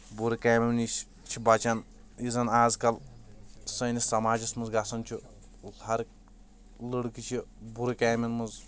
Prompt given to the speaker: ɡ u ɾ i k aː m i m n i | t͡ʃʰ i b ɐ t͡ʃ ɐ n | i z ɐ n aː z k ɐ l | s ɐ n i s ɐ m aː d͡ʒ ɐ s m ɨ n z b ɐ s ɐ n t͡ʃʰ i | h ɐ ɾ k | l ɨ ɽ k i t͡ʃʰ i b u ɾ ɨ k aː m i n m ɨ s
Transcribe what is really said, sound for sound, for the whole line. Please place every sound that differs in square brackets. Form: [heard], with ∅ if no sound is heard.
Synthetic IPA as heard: [b] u ɾ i k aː m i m n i | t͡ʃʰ i b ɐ t͡ʃ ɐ n | i z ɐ n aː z k ɐ l | s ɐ n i s ɐ m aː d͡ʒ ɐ s m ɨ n z [ɡ] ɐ s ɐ n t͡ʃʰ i | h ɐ ɾ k | l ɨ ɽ k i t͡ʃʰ i b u ɾ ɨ k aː m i n m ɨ [z]